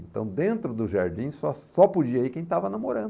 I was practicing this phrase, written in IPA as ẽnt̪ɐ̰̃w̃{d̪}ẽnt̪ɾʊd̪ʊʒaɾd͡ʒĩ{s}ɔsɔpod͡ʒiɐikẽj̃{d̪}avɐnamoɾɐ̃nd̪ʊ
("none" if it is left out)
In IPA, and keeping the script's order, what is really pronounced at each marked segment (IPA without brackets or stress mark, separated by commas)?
d̪, s, t̪